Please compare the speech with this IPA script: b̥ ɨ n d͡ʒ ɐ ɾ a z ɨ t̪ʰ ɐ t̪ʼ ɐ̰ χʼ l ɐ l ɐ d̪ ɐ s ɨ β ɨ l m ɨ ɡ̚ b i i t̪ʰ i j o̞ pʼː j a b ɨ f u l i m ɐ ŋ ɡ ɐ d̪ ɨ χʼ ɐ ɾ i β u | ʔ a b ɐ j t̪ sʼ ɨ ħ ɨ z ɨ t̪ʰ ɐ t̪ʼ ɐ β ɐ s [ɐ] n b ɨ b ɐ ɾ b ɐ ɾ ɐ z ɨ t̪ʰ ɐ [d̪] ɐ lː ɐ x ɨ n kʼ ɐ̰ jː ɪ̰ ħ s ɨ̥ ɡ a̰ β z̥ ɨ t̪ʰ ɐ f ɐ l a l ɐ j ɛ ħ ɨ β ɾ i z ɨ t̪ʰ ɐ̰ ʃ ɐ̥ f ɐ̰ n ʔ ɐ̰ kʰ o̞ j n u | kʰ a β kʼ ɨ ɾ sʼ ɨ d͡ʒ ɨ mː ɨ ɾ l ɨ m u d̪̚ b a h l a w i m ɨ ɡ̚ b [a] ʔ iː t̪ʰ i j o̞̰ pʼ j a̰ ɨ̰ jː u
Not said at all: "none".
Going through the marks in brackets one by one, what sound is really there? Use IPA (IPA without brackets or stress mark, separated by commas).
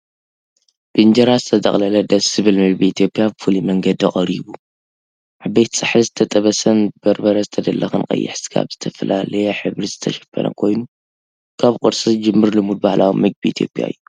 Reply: ɐ, d̪, i